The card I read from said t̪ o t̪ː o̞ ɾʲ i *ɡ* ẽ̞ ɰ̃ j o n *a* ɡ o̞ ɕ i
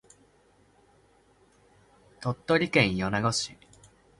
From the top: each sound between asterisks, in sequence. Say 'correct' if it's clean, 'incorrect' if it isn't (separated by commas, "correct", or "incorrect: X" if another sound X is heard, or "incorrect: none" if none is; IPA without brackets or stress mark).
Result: incorrect: k, correct